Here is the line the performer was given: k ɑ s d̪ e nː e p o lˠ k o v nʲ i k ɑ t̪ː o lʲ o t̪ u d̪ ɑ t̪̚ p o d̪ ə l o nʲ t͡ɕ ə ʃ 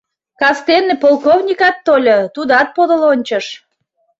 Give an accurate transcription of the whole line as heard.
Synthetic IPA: k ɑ s t̪ e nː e p o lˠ k o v nʲ i k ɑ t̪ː o lʲ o t̪ u d̪ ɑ t̪̚ p o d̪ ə l o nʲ t͡ɕ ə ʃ